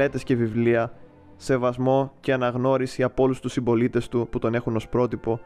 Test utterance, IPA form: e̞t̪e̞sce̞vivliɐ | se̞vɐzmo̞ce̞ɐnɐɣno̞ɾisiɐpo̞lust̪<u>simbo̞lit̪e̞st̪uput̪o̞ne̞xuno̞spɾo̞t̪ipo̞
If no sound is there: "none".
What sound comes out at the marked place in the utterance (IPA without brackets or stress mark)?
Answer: u